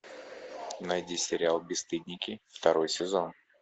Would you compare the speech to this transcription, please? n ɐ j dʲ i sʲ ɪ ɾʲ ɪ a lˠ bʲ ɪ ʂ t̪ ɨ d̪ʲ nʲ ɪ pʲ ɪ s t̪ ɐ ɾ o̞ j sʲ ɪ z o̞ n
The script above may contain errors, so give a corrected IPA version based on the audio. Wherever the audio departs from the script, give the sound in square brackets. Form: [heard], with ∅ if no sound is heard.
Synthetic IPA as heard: n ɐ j dʲ i sʲ ɪ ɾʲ ɪ a lˠ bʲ ɪ [s] t̪ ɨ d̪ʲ nʲ ɪ [kʲ] ɪ [f] t̪ ɐ ɾ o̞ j sʲ ɪ z o̞ n